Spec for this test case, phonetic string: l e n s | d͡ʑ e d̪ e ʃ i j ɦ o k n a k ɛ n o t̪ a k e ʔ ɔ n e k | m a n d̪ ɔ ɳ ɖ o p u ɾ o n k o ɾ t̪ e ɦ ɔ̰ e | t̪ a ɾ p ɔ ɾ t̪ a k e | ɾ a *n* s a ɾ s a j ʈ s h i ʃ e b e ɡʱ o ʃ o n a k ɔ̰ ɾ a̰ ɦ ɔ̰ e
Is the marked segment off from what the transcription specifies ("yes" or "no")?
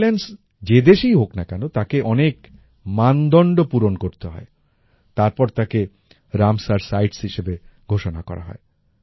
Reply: yes